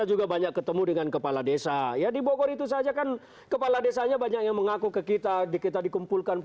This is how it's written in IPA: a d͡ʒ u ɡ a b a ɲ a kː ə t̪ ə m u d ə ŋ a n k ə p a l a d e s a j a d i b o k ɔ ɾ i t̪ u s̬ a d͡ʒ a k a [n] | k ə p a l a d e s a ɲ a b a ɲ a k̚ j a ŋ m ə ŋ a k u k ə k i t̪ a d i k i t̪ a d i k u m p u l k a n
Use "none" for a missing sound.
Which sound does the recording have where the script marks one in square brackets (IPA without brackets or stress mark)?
n